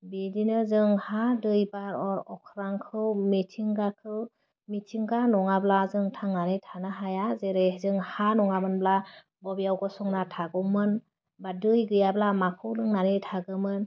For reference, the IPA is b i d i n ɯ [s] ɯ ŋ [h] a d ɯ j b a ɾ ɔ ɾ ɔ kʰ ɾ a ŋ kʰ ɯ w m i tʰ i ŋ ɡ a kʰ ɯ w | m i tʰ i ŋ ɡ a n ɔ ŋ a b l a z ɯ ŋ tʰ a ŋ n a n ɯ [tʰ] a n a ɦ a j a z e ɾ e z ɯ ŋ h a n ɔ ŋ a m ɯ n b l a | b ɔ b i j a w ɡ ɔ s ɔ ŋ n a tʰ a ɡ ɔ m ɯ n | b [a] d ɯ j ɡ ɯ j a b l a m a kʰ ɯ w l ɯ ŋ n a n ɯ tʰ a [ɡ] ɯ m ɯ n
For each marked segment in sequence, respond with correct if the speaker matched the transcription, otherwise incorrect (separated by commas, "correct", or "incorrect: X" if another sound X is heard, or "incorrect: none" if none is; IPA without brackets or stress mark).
incorrect: z, correct, correct, correct, correct